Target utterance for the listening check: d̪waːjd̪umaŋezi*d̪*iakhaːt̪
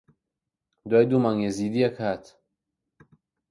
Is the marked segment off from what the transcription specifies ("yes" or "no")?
no